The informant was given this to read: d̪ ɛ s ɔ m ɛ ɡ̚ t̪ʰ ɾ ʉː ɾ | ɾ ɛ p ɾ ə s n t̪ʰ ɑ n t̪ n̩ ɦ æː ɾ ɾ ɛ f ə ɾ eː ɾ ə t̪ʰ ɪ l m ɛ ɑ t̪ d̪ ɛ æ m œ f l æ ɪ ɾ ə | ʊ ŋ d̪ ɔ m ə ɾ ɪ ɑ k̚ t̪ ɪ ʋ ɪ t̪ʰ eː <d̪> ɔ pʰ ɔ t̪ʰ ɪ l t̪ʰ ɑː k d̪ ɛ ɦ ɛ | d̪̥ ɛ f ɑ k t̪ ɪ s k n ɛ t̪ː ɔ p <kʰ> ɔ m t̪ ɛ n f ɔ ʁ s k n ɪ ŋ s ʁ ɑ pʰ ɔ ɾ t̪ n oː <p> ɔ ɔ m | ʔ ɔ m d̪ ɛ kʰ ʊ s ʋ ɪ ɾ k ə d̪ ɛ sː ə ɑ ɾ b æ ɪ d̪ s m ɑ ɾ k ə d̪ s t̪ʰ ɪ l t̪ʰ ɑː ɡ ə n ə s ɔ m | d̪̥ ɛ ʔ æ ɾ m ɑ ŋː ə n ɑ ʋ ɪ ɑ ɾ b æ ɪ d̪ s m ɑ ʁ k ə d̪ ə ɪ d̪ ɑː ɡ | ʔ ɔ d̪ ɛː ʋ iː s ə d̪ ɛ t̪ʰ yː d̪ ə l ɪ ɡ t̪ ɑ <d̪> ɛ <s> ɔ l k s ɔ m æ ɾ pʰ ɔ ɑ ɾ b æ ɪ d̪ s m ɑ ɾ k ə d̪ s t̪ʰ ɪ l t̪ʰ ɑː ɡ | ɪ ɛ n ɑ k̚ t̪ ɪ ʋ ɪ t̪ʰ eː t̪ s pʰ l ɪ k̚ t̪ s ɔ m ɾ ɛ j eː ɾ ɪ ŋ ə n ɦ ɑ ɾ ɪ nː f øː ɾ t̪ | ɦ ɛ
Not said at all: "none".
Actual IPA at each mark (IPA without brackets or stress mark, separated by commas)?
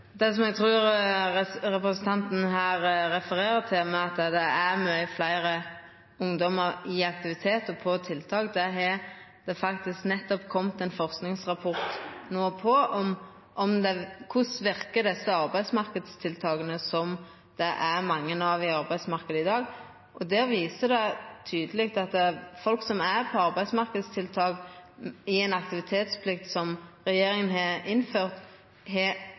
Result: t̪, kʰ, pʰ, t̪, f